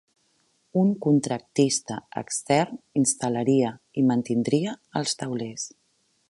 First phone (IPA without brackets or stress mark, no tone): u